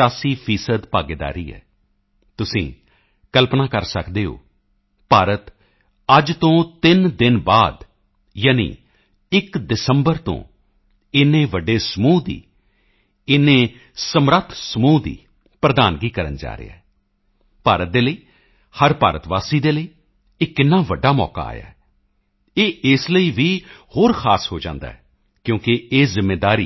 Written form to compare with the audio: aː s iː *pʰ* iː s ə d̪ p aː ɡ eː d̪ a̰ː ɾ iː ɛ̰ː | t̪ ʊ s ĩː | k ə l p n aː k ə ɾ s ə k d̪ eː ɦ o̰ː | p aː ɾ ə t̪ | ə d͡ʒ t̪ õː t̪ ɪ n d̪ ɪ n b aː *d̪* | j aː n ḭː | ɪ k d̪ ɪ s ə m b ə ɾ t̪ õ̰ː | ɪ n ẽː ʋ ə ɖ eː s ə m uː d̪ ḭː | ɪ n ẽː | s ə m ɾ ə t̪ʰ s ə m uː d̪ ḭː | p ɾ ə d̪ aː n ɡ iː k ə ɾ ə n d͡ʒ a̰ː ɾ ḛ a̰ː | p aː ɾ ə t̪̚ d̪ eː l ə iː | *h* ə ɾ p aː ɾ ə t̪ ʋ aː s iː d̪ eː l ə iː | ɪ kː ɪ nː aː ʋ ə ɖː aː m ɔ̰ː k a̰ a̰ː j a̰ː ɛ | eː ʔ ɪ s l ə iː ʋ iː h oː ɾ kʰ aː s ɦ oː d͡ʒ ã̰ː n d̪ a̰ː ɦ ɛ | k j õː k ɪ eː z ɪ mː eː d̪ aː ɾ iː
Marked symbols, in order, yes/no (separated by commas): yes, yes, yes